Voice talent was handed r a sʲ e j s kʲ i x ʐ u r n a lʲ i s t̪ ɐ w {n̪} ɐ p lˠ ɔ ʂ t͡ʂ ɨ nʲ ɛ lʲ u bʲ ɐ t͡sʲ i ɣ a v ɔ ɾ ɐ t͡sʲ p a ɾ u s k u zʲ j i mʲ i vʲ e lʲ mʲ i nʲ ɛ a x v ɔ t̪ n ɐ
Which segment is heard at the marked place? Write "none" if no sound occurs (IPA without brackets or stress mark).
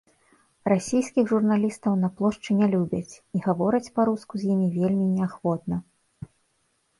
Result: n̪